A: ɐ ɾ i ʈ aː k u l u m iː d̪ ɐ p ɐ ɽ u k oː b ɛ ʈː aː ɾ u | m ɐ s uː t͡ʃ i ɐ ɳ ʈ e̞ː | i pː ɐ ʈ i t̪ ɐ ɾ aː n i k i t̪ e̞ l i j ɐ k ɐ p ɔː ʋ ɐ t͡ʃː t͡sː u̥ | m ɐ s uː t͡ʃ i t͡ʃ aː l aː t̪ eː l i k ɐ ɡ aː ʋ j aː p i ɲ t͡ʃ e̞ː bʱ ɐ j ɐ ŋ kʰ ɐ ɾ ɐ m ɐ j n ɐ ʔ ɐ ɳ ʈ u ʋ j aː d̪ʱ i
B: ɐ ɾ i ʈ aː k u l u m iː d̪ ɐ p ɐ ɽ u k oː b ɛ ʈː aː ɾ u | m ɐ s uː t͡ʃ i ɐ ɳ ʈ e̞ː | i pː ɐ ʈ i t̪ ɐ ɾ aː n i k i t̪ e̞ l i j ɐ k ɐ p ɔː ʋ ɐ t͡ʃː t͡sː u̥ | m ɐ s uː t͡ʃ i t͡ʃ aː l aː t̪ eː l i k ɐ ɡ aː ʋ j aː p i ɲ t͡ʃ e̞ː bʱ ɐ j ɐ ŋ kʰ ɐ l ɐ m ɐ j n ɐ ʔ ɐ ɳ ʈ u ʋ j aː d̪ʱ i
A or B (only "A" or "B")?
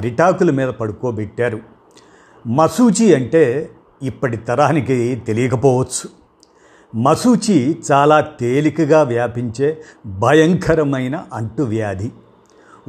A